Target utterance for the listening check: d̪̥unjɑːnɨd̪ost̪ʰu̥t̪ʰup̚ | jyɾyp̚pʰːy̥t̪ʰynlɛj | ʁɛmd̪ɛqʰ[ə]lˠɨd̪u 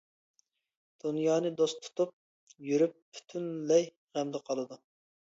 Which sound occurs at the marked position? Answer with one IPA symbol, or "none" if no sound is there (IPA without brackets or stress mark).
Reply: ɑ